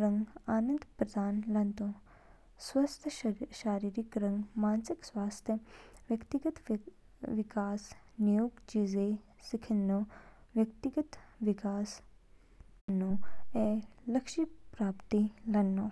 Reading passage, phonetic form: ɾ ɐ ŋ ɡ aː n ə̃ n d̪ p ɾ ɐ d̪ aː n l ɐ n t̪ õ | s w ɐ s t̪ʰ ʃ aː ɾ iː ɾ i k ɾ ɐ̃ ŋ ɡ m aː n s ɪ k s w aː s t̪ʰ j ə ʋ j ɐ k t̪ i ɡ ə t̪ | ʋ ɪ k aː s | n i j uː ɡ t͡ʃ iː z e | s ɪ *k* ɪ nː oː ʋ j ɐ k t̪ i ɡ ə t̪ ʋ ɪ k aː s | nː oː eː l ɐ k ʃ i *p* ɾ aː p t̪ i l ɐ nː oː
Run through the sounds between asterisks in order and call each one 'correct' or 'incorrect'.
incorrect, correct

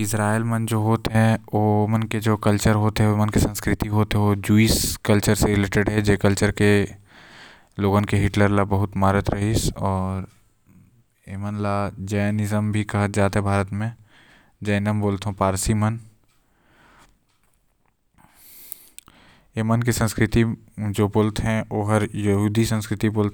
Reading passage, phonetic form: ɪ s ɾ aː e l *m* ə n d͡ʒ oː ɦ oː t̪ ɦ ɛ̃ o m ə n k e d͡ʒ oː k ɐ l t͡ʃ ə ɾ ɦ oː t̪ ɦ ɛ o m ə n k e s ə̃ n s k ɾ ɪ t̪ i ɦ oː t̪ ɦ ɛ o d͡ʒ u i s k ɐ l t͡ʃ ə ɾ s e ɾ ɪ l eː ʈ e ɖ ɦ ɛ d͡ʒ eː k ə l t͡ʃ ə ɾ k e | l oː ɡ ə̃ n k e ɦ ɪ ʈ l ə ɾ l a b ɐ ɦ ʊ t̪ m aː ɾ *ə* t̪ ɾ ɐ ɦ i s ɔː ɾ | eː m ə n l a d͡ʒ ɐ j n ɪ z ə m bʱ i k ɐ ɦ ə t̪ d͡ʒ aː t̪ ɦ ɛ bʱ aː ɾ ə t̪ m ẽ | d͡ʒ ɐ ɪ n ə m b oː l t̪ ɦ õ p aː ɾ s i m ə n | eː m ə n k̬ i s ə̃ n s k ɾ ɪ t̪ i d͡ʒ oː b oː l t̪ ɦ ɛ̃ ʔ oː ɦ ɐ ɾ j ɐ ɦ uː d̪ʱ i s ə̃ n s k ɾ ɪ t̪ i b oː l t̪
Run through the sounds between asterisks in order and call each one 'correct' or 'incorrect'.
correct, correct

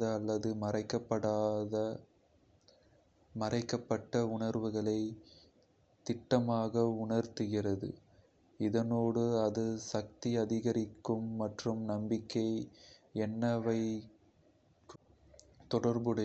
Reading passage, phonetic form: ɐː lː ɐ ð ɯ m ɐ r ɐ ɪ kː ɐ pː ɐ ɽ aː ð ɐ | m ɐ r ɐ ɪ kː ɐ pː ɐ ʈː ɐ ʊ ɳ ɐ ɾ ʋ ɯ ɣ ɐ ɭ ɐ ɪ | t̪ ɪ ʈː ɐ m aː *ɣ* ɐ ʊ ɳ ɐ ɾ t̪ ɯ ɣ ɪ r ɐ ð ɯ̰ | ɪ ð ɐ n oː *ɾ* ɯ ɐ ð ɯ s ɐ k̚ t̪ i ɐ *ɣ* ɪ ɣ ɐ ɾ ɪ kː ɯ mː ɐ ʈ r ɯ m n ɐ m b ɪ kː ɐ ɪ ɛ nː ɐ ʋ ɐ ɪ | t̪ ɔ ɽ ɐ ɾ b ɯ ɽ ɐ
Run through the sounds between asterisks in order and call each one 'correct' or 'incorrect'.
correct, incorrect, incorrect

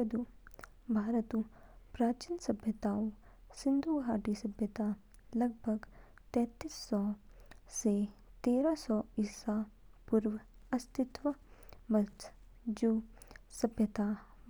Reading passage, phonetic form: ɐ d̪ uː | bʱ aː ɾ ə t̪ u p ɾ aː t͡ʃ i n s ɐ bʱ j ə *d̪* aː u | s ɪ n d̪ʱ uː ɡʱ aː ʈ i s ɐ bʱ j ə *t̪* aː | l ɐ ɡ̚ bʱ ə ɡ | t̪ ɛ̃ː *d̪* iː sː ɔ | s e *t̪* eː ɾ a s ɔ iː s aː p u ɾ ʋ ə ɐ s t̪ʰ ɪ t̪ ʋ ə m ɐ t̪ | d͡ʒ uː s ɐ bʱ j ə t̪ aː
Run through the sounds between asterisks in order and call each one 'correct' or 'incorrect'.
incorrect, correct, incorrect, correct

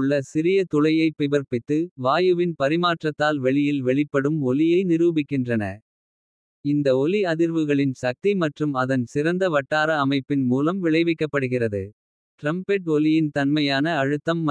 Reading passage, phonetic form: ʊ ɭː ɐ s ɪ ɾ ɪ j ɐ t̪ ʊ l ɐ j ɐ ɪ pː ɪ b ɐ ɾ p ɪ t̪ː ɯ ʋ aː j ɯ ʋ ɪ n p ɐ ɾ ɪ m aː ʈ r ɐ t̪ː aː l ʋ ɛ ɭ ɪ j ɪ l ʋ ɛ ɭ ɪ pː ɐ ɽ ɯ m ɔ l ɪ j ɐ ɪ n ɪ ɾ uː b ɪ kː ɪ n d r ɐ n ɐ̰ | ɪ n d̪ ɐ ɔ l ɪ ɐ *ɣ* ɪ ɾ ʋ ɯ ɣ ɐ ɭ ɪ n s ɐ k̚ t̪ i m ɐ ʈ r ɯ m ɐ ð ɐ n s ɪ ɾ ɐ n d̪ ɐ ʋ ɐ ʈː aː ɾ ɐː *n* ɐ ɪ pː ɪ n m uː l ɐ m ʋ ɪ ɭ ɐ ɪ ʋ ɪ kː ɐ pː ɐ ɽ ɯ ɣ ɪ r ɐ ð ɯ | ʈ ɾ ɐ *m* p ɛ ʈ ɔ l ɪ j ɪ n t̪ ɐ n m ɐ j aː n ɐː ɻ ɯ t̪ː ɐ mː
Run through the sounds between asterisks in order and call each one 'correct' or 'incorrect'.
incorrect, incorrect, correct

